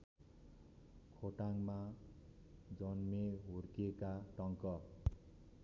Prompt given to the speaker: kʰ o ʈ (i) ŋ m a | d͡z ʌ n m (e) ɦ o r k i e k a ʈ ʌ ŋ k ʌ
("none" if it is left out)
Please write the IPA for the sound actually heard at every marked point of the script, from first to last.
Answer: a, e

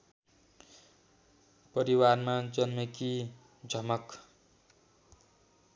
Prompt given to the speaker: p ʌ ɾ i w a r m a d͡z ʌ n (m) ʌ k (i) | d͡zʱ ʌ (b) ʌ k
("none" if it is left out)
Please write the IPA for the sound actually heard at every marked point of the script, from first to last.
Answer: m, i, m

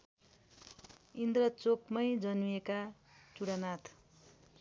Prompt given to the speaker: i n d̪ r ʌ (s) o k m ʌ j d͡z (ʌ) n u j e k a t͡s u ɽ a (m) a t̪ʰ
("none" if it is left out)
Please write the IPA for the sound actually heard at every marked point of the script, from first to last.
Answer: t͡s, ʌ, n

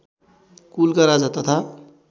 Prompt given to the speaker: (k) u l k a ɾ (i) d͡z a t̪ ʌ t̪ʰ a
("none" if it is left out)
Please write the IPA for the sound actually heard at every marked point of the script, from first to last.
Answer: k, a

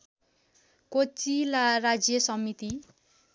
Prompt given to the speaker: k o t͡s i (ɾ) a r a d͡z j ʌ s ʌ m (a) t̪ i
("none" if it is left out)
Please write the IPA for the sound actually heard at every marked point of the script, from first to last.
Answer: l, i

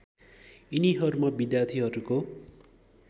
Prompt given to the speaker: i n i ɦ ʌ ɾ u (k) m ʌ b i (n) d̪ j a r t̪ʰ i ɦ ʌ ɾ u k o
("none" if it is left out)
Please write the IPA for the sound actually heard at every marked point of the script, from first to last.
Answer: none, none

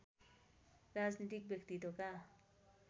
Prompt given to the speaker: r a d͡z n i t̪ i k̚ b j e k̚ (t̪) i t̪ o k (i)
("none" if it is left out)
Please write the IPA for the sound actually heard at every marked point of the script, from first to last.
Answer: t̪, a

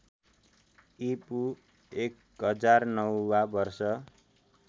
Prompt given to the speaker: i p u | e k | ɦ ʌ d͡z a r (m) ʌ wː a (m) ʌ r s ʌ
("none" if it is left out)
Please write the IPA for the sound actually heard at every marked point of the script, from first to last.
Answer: n, b

